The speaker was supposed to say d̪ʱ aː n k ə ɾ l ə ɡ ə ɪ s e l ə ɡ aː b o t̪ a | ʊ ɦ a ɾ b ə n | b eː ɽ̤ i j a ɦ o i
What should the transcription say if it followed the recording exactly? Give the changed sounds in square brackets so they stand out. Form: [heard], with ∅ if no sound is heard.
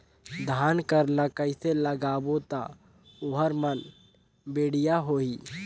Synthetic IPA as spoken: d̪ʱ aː n k ə ɾ l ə [k] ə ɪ s e l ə ɡ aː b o t̪ a | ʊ ɦ [ə] ɾ [m] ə n | b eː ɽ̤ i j a ɦ o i